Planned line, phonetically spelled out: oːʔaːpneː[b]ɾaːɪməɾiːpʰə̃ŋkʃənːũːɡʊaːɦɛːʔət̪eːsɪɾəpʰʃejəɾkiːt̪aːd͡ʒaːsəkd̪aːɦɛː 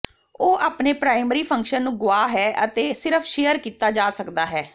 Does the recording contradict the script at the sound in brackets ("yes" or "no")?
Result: yes